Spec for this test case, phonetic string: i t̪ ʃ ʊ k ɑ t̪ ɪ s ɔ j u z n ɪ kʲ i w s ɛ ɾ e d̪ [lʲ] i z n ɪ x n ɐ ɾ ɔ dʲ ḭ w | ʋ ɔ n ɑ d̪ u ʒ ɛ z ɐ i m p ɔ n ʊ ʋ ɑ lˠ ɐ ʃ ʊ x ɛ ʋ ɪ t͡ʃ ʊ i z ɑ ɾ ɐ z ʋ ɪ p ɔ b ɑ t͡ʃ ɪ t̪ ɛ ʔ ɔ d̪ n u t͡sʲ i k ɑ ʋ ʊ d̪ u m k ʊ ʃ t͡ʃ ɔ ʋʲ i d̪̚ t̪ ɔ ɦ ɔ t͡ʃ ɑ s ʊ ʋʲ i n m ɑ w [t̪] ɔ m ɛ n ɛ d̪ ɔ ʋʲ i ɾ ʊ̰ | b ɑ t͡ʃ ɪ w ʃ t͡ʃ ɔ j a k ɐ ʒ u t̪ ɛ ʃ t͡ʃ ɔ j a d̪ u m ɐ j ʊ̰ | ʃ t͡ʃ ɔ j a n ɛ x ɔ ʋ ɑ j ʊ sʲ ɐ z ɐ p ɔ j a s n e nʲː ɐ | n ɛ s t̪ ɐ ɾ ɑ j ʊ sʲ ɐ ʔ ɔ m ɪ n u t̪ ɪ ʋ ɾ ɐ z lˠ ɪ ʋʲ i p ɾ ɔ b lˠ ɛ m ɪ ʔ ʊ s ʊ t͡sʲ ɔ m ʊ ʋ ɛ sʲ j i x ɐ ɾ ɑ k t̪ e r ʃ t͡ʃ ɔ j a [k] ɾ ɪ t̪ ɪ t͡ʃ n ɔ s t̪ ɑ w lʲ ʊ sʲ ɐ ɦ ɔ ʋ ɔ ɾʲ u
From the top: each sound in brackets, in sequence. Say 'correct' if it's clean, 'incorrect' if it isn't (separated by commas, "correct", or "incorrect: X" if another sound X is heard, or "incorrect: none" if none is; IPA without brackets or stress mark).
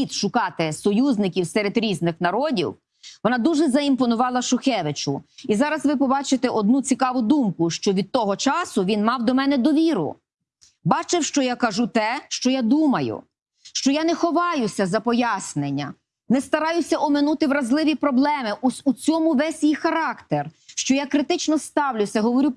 incorrect: ɾʲ, incorrect: d̪, correct